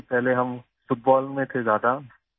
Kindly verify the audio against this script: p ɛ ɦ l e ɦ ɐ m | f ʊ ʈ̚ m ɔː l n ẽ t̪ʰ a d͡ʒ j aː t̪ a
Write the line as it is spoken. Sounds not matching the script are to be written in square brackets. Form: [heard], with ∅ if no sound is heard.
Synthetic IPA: p ɛ ɦ l e ɦ ɐ m | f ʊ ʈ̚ [b] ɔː l [m] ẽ t̪ʰ [e] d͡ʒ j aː [d̪] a